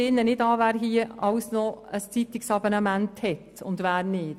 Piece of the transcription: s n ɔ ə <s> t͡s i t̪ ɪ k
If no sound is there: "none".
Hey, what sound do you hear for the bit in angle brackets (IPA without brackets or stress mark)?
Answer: s